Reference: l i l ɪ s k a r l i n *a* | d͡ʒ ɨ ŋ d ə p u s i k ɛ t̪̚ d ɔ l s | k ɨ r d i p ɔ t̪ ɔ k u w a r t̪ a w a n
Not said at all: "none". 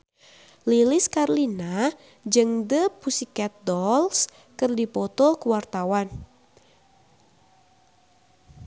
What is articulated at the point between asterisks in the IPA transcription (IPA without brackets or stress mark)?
a